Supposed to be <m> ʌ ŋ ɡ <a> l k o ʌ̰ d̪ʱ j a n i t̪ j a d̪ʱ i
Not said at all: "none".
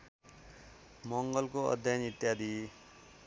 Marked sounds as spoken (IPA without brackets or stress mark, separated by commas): m, ʌ